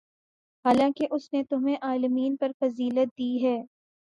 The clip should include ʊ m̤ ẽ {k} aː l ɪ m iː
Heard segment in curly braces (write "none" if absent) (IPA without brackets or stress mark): ʔ